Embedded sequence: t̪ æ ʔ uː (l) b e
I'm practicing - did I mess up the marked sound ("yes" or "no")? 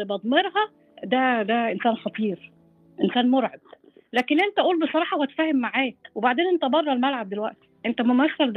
no